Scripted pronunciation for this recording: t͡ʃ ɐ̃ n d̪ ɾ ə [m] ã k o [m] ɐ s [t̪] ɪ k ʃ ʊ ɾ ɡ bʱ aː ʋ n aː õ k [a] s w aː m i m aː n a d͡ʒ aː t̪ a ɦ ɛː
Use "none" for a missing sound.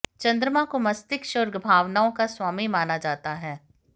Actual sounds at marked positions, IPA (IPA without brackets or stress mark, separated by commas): m, m, t̪, a